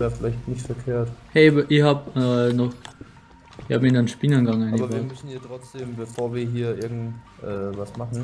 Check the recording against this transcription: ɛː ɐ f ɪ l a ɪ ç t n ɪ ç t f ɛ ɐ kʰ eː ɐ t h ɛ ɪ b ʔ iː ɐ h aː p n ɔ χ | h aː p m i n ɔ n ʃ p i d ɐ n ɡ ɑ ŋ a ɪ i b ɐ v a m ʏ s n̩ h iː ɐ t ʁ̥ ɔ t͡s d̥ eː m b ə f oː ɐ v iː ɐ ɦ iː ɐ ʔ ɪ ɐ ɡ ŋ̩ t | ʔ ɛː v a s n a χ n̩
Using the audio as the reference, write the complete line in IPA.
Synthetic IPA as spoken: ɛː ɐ f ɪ l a ɪ ç t n ɪ ç t f ɛ ɐ kʰ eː ɐ t h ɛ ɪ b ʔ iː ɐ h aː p n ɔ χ | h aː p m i n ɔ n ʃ p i n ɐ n ɡ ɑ ŋ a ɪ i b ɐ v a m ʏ s n̩ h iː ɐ t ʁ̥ ɔ t͡s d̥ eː m b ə f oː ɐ v iː ɐ ɦ iː ɐ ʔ ɪ ɐ ɡ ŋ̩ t | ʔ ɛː v a s m a χ n̩

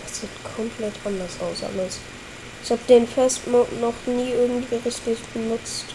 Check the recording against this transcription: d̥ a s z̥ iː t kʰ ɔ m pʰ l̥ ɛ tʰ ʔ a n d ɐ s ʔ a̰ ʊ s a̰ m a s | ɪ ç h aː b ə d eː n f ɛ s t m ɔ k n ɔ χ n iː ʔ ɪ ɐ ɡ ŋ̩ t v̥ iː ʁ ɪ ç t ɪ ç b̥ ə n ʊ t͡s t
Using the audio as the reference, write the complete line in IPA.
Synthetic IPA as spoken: d̥ a s z̥ iː t kʰ ɔ m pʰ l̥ ɛ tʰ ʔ a n d ɐ s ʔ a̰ ʊ s a̰ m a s | ɪ ç h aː b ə d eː n f ɛ s t m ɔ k n ɔ χ n iː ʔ ɪ ɐ ɡ ŋ̩ t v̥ iː ʁ ɪ ç t ɪ ç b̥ ə n ʊ t͡s t

